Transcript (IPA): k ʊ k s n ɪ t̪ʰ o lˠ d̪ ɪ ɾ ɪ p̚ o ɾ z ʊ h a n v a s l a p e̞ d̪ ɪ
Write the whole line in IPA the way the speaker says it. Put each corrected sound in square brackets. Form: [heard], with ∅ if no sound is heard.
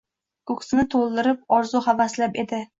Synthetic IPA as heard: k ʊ k s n ɪ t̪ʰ o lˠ d̪ ɪ ɾ ɪ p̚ [ɒ] ɾ z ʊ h a [∅] v a s l a p e̞ d̪ ɪ